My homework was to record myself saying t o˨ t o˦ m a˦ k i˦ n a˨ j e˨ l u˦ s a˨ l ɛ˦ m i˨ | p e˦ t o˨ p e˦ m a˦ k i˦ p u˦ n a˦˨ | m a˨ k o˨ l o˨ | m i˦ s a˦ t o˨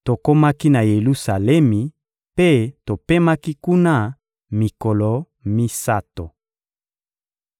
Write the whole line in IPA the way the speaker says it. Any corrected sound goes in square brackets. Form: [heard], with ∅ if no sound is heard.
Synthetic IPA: t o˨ [k] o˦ m a˦ k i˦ n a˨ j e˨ l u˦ s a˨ l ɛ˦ m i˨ | p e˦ t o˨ p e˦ m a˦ k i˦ [k] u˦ n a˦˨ | m [i˨] k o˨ l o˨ | m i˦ s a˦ t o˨